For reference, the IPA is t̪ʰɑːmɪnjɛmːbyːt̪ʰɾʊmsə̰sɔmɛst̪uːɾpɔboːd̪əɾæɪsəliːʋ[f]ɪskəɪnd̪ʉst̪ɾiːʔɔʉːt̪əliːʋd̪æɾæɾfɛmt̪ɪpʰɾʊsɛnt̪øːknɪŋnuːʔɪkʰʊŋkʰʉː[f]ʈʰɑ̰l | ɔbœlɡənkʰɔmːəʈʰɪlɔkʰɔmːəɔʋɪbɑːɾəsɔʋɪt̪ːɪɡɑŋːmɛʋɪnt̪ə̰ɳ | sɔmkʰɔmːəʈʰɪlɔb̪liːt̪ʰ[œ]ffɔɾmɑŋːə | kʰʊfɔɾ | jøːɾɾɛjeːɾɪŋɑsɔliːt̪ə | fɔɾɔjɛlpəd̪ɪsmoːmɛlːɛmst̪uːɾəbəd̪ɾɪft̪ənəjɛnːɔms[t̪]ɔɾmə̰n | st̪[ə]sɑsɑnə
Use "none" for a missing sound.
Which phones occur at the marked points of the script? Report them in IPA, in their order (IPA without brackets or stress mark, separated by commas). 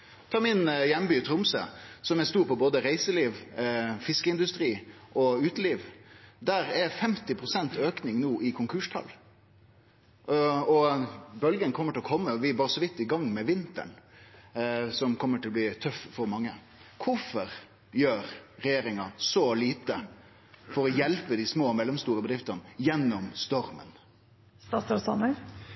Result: f, ʂ, œ, t̪, ɑ